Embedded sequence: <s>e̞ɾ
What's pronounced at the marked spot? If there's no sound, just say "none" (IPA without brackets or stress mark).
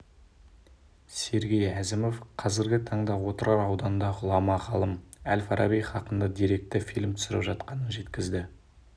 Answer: s